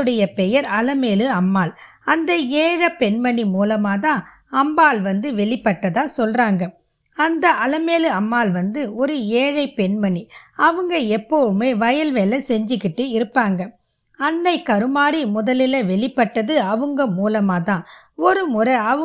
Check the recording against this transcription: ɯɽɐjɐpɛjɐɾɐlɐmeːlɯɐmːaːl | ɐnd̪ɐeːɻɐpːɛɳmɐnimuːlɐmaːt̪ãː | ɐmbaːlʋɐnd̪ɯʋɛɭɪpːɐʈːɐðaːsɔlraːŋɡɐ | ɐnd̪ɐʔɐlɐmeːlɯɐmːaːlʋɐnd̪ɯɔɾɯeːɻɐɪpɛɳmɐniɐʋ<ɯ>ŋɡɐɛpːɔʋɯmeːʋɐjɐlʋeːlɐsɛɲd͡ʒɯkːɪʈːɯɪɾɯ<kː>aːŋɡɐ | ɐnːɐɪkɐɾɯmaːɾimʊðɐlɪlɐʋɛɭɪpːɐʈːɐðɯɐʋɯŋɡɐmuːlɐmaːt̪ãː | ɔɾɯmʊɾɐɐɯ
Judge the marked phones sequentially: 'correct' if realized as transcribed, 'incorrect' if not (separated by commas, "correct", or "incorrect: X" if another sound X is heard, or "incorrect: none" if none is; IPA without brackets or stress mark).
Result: correct, incorrect: pː